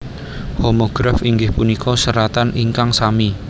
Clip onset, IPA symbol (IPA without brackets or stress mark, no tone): h